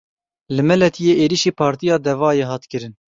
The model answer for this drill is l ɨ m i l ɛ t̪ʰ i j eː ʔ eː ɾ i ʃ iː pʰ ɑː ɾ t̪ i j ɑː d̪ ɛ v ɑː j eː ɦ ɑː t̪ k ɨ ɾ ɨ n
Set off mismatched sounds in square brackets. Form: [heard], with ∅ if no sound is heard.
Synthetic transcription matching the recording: l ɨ m [ɛ] l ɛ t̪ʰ i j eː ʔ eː ɾ i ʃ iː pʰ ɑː ɾ t̪ i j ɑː d̪ ɛ v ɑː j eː ɦ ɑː t̪ k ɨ ɾ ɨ n